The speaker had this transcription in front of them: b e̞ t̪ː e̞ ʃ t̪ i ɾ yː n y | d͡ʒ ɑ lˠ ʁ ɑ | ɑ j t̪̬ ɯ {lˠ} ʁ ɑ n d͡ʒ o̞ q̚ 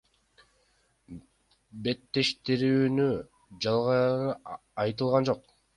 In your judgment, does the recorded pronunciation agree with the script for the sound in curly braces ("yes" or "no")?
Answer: yes